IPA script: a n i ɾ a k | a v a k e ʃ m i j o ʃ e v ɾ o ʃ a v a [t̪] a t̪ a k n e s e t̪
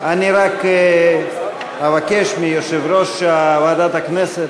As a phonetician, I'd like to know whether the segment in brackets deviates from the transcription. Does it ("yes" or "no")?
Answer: yes